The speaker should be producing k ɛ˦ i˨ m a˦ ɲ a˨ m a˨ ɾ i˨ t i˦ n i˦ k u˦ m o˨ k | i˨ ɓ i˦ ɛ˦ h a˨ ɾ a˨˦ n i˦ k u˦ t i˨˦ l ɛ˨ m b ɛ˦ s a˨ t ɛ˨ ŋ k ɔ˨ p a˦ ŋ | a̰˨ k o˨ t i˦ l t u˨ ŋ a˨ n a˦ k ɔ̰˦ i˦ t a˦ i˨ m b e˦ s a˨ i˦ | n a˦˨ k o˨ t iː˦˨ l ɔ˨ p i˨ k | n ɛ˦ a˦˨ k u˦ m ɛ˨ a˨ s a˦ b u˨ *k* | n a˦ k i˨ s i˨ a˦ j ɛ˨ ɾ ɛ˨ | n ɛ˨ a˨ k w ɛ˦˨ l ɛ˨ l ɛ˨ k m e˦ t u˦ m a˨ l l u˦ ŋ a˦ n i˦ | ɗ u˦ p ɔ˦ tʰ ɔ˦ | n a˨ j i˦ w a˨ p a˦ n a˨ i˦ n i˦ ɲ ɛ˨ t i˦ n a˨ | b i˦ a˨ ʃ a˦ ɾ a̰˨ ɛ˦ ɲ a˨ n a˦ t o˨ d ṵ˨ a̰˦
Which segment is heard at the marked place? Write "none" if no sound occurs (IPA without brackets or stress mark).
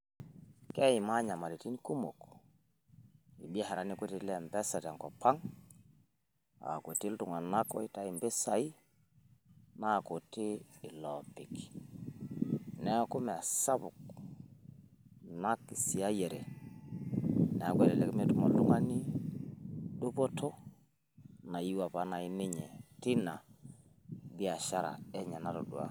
k